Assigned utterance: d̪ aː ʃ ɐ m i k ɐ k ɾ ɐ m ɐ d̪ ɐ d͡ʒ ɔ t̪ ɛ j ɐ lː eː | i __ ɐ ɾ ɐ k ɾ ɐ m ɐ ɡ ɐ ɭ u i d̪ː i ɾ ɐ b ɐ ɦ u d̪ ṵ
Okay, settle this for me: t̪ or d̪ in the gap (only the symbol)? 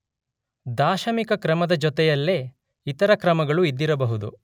t̪